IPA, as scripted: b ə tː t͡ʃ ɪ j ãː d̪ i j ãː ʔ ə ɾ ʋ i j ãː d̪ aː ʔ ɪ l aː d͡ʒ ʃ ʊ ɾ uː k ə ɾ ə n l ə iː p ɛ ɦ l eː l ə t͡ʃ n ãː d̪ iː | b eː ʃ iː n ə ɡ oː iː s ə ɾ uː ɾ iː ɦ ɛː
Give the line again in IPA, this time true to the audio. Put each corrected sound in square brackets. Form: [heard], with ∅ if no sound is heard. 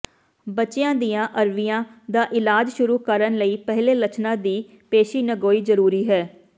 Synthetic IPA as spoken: b ə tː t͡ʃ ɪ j ãː d̪ i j ãː ʔ ə ɾ ʋ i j ãː d̪ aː ʔ ɪ l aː d͡ʒ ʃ ʊ ɾ uː k ə ɾ ə n l ə iː p ɛ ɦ l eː l ə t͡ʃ n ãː d̪ iː | [p] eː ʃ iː n ə ɡ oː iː [z] ə ɾ uː ɾ iː ɦ ɛː